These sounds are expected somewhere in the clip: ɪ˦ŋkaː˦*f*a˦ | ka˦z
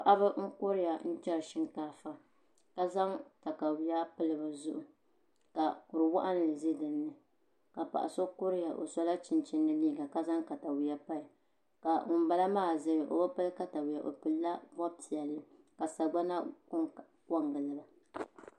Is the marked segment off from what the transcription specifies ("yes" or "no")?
no